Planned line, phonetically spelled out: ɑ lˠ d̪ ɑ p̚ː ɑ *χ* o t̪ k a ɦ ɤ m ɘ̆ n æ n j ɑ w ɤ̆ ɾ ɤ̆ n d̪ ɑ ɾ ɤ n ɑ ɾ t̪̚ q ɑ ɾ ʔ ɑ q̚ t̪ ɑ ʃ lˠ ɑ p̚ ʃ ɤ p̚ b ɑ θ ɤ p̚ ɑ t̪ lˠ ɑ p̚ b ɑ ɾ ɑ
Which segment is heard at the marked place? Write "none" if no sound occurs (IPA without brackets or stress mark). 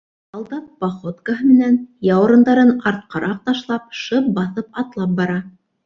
χ